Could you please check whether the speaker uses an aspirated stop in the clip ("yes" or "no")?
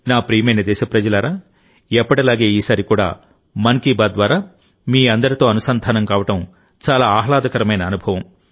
no